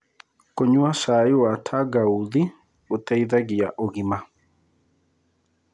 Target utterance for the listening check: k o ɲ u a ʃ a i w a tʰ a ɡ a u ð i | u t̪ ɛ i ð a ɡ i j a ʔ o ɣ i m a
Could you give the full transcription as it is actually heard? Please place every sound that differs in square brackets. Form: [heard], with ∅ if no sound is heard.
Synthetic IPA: k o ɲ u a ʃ a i w a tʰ a ɡ a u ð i | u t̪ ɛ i ð a ɡ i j a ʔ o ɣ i m a

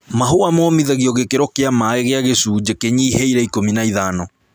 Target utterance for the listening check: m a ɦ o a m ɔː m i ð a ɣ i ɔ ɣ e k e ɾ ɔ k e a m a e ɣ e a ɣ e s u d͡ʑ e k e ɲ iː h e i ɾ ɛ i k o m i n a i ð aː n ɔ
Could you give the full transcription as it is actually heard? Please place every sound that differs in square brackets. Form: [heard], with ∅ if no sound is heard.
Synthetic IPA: m a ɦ o a m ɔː m i ð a ɣ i ɔ ɣ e k e ɾ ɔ k e a m a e ɣ e a ɣ e s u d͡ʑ e k e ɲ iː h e i ɾ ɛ i k o m i n a i ð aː n ɔ

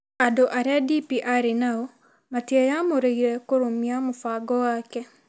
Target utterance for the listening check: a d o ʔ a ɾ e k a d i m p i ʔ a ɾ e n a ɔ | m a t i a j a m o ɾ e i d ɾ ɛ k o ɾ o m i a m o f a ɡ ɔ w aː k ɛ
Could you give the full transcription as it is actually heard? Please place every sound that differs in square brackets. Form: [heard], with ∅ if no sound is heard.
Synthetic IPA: a d o ʔ a ɾ e [∅] a d i [∅] p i ʔ a ɾ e n a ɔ | m a t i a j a m o ɾ e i [∅] ɾ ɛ k o ɾ o m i a m o f a ɡ ɔ w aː k ɛ

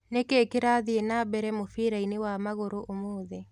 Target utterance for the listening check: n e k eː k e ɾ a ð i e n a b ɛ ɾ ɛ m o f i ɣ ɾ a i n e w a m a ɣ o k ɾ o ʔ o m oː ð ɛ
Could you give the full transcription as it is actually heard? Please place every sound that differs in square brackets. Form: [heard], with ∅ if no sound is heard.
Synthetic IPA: n e k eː k e ɾ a ð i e n a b ɛ ɾ ɛ m o f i [∅] ɾ a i n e w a m a ɣ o [∅] ɾ o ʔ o m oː ð ɛ

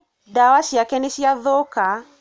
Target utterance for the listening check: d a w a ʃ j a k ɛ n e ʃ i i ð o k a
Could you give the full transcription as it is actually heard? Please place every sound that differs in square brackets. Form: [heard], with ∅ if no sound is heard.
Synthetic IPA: d a w a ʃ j a k ɛ n e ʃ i [a] ð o k a

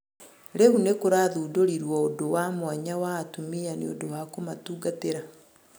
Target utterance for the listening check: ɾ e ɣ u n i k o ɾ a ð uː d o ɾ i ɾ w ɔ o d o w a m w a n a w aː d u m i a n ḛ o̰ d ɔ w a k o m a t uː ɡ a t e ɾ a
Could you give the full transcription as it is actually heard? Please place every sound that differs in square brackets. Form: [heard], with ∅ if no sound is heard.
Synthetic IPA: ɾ e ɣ u n [e] k o ɾ a ð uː d o ɾ i ɾ w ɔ o d o w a m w a [ɲ] a w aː [t] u m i a n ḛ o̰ d [o] w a k o m a t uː ɡ a t e ɾ a

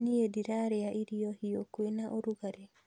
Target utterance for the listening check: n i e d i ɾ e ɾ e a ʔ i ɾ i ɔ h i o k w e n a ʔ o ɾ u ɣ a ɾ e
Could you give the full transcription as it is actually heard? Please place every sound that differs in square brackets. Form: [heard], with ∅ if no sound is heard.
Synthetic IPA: n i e d i ɾ [a] ɾ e a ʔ i ɾ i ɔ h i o k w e n a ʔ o ɾ u ɣ a ɾ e

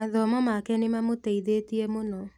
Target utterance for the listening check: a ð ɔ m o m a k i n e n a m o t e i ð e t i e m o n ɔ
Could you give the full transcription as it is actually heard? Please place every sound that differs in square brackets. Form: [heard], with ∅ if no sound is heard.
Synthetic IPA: a ð ɔ m [ɔ] m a k [ɛ] n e [m] a m o t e i ð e t i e m o n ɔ

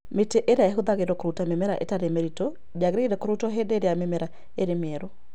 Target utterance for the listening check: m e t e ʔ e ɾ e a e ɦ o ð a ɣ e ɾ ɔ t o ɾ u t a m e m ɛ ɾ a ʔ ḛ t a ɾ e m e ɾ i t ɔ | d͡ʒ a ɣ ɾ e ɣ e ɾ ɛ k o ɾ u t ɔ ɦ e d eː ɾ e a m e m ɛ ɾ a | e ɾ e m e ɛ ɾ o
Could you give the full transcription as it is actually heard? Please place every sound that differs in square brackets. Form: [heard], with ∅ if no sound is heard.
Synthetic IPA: m e t e ʔ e ɾ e a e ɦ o ð a ɣ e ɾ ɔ [k] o ɾ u t a m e m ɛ ɾ a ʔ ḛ t a ɾ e m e ɾ i t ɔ | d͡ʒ a ɣ ɾ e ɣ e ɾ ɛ k o ɾ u t ɔ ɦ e d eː ɾ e a m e m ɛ ɾ a | e ɾ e m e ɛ ɾ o

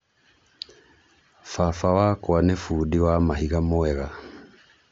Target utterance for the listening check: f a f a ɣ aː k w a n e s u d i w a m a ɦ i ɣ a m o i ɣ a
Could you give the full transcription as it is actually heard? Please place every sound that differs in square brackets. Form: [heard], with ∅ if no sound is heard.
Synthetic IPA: f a f a [w] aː k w a n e [f] u d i w a m a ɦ i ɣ a m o [ɛ] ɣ a

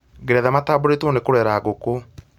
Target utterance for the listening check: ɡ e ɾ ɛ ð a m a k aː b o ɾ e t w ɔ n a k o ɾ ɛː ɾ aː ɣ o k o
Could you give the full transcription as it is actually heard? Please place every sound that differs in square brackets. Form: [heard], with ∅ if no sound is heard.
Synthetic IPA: ɡ e ɾ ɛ ð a m a [t] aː b o ɾ e t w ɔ n [e] k o ɾ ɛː ɾ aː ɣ o k o

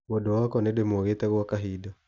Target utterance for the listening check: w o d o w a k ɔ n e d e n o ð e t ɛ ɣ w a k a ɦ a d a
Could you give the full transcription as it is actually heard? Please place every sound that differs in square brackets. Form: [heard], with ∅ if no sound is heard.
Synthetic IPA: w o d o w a k ɔ n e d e [m] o [ɣ] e t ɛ ɣ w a k a ɦ [i] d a

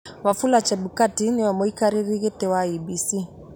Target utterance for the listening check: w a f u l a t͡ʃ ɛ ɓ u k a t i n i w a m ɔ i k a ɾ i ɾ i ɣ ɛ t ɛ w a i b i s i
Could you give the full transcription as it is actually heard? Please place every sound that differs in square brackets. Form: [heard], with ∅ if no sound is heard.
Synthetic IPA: w a f u l a t͡ʃ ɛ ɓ u k a t i n i w a m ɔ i k a ɾ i ɾ i ɣ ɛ t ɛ w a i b i s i

